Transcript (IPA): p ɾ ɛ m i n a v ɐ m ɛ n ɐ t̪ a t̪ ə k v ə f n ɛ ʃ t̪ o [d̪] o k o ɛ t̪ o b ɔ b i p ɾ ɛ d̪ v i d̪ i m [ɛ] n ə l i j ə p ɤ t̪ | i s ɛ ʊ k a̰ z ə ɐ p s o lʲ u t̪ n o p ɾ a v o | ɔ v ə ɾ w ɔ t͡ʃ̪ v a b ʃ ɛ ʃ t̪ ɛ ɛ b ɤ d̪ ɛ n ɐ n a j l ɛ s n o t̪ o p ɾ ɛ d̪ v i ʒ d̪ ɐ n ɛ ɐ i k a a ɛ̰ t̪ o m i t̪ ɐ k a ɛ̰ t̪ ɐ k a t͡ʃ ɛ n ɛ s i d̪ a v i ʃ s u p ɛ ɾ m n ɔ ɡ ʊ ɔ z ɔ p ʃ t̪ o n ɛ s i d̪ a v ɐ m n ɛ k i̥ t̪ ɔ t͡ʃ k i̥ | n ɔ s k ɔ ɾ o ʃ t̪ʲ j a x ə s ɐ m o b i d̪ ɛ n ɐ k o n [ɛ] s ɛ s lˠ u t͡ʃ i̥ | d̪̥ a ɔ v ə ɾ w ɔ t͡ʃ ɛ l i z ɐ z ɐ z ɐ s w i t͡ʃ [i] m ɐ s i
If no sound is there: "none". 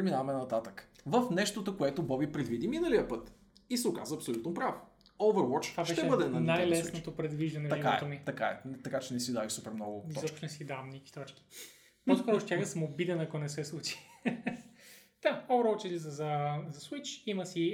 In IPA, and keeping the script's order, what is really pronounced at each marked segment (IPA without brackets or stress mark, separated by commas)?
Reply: t̪, i, ɛ, i